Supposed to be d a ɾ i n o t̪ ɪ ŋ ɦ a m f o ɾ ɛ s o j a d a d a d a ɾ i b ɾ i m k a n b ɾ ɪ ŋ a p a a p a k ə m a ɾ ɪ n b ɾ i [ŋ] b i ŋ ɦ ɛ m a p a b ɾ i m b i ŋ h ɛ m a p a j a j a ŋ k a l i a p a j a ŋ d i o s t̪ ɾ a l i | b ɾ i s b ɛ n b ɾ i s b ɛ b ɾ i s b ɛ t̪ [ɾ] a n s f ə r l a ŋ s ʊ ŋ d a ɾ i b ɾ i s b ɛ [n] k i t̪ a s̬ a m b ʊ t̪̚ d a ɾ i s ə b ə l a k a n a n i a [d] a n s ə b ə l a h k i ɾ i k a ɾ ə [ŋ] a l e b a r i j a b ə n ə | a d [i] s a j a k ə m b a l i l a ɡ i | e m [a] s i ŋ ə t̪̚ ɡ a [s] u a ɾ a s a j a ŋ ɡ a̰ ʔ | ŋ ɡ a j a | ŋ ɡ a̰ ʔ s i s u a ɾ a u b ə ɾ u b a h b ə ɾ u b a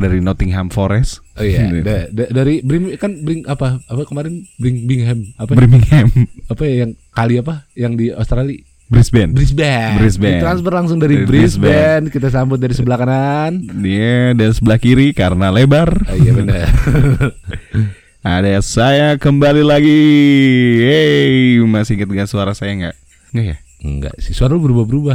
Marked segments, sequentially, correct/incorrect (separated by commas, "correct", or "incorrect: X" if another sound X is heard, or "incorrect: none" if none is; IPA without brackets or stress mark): correct, correct, correct, correct, incorrect: n, incorrect: a, correct, correct